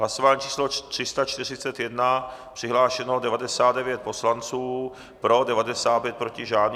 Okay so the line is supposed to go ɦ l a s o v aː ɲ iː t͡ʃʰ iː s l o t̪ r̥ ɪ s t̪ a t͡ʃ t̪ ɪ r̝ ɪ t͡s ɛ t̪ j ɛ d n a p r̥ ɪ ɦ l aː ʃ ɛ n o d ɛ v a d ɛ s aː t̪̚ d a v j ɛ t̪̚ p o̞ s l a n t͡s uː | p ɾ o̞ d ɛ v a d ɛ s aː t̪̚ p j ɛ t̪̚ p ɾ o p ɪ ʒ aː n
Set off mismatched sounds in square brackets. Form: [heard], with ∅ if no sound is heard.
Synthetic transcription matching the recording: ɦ l a s o v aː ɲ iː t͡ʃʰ iː s l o t̪ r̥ ɪ s t̪ a t͡ʃ t̪ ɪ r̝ ɪ t͡s ɛ t̪ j ɛ d n a p r̥ ɪ ɦ l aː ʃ ɛ n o d ɛ v a d ɛ s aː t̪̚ d [ɛ] v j ɛ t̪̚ p o̞ s l a n t͡s uː | p ɾ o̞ d ɛ v a d ɛ s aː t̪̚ p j ɛ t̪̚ p ɾ o [c] ɪ ʒ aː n